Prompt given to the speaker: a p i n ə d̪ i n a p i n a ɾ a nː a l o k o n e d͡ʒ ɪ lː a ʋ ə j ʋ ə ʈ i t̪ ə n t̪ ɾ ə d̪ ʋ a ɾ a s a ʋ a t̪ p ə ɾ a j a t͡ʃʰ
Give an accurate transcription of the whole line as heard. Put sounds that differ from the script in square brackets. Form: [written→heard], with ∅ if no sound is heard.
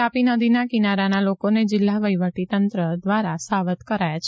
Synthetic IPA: a p i n ə d̪ i n a [p→k] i n a ɾ a [nː→n] a l o k o n e d͡ʒ ɪ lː a ʋ ə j ʋ ə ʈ i t̪ ə n t̪ ɾ ə d̪ ʋ a ɾ a s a ʋ [a→ə] t̪ [p→k] ə ɾ a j a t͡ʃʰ